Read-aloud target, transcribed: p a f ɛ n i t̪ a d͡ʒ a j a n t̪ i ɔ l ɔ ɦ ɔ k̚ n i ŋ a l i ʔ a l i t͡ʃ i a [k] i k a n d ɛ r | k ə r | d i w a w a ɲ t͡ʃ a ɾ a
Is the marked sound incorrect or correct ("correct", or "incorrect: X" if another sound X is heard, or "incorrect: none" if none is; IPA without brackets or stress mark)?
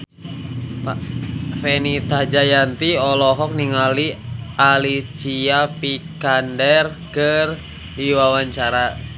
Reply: incorrect: p